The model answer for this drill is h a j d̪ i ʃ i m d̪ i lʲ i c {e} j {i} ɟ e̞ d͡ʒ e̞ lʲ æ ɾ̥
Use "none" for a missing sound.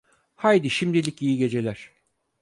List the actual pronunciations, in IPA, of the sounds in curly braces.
i, i

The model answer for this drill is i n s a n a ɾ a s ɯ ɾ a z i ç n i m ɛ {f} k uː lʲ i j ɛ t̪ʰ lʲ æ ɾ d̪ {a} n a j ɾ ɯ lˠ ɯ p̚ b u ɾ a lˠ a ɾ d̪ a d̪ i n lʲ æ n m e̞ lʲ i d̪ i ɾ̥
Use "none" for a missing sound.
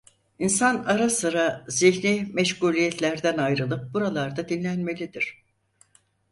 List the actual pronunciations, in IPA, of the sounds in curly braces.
ʃ, æ

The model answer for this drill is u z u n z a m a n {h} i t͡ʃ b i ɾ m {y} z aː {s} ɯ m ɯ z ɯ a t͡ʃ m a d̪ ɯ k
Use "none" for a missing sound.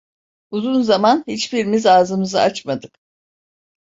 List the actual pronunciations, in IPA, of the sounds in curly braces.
h, i, z

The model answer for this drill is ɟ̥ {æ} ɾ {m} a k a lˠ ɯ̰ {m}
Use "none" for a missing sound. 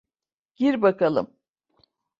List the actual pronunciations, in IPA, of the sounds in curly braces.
i, b, m

